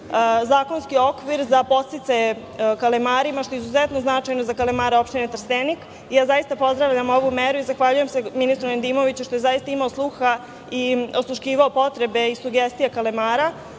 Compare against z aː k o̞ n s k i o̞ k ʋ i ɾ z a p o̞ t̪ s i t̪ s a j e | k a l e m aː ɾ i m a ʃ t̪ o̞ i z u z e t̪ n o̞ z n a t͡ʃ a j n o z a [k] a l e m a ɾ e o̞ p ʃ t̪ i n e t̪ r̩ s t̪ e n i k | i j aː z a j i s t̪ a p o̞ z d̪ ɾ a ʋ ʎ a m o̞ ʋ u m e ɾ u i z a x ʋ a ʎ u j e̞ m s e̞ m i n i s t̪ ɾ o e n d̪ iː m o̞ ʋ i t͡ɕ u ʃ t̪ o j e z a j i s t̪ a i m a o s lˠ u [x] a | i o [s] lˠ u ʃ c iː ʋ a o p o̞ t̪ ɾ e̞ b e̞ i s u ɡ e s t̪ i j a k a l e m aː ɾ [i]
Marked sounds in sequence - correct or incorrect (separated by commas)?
correct, correct, correct, incorrect